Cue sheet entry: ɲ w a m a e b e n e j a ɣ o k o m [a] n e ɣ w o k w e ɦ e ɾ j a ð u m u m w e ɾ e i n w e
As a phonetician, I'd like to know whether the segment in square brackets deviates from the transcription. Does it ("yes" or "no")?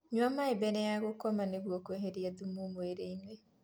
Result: no